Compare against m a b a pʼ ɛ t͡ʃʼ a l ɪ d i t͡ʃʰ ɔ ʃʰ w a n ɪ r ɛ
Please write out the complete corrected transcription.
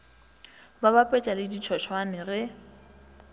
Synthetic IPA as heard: b a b a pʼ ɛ t͡ʃʼ a l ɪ d i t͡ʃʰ ɔ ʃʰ w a n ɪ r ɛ